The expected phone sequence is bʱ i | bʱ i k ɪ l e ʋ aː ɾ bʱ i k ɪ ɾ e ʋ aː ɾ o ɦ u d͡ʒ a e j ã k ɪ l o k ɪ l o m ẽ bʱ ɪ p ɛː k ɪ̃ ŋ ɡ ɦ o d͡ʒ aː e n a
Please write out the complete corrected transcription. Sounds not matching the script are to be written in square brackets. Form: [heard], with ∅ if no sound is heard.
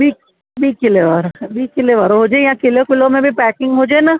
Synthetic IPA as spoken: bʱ i | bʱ i k ɪ l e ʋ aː ɾ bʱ i k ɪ [l] e ʋ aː ɾ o ɦ [o] d͡ʒ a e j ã k ɪ l o k ɪ l o m ẽ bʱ [i] p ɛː k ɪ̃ ŋ ɡ ɦ o d͡ʒ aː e n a